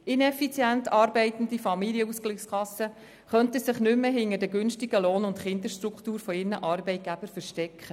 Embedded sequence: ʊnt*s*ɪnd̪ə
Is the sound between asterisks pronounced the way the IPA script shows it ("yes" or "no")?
no